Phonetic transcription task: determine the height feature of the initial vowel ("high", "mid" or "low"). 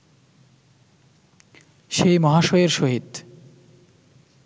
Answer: mid